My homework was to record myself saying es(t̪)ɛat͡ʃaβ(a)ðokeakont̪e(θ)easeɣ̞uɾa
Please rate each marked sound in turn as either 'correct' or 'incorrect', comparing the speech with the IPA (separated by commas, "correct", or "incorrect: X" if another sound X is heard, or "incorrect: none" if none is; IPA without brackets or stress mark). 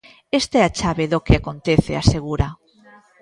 correct, incorrect: e, correct